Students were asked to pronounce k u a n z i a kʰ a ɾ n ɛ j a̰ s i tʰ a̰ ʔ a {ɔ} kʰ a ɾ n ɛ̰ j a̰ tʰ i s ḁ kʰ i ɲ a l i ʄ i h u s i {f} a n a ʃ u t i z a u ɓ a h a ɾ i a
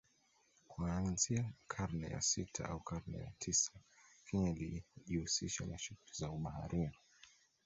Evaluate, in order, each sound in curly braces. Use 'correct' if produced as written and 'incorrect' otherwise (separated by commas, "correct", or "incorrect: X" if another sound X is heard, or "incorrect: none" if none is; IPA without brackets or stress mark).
incorrect: u, incorrect: ʃ